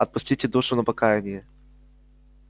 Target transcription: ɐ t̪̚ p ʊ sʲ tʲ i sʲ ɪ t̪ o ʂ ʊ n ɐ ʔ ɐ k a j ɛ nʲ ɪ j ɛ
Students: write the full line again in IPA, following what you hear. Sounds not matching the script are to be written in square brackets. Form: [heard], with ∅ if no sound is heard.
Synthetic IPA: ɐ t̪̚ p ʊ sʲ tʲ i [tʲ] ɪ [d̪] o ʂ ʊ n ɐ [p] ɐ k a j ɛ nʲ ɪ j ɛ

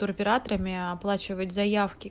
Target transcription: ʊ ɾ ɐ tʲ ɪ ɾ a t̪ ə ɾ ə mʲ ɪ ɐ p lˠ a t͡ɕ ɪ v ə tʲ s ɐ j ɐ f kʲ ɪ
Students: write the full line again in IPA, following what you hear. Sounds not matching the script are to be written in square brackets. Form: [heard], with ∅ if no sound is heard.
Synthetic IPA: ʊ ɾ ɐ [pʲ] ɪ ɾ a t̪ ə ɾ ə mʲ ɪ ɐ p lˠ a t͡ɕ ɪ v ə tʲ [z] ɐ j [a] f kʲ ɪ

